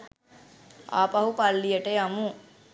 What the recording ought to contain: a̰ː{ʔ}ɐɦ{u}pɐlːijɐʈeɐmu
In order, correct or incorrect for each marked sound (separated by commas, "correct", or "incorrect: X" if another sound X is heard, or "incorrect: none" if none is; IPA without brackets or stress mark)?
incorrect: p, correct